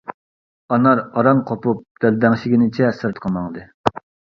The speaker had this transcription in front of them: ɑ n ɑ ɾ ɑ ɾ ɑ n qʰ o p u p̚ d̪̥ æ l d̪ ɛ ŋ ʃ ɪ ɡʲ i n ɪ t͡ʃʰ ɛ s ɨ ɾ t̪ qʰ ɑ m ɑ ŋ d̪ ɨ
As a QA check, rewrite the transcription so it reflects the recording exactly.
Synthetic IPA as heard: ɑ n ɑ ɾ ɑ ɾ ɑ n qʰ o p u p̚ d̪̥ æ l d̪ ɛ ŋ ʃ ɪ ɡʲ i n ɪ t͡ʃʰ ɛ s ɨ ɾ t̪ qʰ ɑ m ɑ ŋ d̪ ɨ